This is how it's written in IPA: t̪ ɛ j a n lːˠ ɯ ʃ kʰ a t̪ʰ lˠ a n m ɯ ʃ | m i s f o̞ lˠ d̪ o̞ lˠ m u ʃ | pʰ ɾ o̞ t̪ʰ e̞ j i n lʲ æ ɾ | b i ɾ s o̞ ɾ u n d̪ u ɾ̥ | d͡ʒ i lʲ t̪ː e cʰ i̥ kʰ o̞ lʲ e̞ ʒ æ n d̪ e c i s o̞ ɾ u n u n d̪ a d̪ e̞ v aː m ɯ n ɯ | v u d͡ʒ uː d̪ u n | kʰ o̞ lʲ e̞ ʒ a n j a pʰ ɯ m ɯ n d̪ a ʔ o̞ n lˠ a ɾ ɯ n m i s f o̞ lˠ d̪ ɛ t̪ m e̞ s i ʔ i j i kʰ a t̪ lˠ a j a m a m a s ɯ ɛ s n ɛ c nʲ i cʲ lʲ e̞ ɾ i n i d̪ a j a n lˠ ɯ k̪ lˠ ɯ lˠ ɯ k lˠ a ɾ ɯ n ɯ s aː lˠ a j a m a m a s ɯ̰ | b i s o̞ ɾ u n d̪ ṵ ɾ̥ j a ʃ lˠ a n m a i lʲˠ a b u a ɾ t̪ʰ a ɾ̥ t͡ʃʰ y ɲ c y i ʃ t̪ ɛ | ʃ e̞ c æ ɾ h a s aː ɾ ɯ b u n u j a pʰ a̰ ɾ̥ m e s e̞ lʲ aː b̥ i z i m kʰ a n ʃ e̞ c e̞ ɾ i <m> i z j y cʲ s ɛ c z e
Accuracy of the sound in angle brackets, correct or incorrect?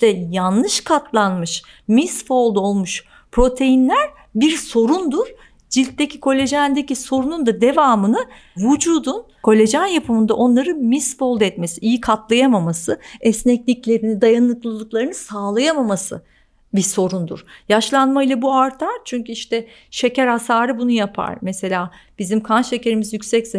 correct